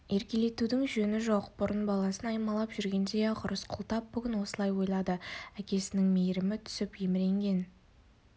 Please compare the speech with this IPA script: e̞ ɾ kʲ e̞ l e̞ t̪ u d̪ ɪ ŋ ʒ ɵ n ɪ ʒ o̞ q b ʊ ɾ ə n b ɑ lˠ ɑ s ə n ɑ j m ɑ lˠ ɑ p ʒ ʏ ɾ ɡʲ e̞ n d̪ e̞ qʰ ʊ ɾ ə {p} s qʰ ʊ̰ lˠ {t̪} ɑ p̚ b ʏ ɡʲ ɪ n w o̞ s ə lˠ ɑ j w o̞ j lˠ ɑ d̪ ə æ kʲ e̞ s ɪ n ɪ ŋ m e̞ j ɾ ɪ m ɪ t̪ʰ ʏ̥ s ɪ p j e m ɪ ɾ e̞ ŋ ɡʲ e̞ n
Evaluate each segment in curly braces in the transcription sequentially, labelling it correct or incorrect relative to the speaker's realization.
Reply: incorrect: none, correct

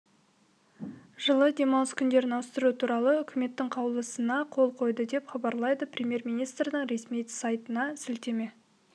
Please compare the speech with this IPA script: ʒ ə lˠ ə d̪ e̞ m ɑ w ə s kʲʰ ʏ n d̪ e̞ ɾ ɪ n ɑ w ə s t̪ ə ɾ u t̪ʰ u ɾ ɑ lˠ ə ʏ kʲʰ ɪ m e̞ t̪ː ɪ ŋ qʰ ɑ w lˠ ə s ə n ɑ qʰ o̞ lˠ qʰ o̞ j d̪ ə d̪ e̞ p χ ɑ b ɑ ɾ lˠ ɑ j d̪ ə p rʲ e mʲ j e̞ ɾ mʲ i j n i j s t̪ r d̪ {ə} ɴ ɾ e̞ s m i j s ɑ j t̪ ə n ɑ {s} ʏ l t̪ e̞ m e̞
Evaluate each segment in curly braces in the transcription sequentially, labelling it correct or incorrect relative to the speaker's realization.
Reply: correct, correct

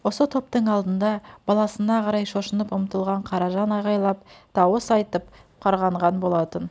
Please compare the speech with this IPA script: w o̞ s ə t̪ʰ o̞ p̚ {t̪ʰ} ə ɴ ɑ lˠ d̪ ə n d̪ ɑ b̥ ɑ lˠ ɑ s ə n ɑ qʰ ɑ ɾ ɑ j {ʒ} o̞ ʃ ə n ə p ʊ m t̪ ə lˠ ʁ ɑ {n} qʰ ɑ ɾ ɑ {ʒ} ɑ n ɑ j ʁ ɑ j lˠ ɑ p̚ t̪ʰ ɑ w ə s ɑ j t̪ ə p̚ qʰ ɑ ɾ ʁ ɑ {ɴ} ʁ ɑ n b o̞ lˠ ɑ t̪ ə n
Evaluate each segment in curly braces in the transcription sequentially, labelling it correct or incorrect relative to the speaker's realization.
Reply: incorrect: t̪, incorrect: ʃ, incorrect: ɴ, correct, correct

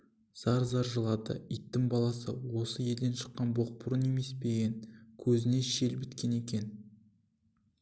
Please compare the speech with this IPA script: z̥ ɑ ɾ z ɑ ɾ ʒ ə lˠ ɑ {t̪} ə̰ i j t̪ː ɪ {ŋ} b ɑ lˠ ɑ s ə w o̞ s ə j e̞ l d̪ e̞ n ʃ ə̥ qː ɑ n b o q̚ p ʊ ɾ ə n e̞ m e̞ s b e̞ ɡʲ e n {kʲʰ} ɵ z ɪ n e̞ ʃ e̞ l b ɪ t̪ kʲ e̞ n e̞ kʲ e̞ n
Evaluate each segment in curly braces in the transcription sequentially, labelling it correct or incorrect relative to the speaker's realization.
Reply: incorrect: d̪, correct, correct

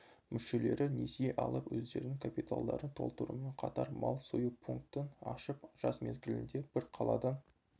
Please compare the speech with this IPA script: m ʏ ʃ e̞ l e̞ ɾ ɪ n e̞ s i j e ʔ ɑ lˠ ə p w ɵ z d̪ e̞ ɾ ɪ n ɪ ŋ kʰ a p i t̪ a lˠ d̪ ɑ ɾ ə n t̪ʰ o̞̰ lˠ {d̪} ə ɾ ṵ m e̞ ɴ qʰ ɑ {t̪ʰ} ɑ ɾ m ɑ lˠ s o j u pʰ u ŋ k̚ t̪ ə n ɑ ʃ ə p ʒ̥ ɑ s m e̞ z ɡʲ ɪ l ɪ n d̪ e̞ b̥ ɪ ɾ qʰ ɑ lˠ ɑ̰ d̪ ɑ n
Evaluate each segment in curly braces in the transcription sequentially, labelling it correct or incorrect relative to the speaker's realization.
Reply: incorrect: t̪, incorrect: t̪

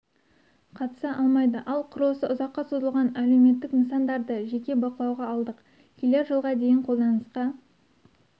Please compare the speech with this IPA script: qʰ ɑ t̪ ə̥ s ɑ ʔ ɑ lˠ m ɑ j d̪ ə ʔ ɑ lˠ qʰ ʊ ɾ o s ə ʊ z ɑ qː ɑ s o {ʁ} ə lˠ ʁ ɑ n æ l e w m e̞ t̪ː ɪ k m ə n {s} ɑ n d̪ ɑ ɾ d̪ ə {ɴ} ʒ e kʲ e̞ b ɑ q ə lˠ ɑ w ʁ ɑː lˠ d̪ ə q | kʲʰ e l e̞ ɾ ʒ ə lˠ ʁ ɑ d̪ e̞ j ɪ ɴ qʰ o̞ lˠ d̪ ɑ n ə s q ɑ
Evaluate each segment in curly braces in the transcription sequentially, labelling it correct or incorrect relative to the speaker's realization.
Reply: incorrect: z, correct, incorrect: none

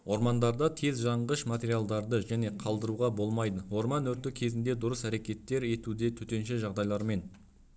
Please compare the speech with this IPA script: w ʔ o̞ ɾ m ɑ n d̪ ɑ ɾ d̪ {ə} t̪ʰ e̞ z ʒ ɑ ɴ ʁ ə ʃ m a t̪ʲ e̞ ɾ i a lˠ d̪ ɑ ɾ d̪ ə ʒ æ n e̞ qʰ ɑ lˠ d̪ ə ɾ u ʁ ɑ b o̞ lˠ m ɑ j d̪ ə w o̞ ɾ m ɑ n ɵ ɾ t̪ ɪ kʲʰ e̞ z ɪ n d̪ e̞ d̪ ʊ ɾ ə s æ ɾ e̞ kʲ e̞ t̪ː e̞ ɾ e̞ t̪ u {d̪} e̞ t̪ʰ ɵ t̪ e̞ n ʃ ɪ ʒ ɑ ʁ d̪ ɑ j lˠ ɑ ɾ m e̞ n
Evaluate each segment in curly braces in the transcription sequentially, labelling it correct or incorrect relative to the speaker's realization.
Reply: incorrect: ɑ, correct

